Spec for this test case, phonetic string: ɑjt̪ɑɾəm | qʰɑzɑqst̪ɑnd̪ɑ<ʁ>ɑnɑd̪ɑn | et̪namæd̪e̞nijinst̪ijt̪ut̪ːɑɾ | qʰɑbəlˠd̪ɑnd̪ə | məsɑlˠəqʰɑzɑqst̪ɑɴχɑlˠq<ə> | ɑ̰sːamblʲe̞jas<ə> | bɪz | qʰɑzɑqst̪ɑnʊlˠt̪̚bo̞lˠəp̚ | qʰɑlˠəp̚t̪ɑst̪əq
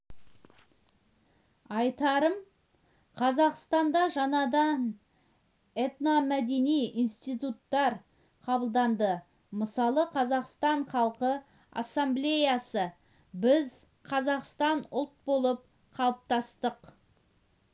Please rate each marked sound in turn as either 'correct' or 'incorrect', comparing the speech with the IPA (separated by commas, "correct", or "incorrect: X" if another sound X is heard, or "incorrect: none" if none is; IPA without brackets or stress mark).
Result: incorrect: ʒ, correct, correct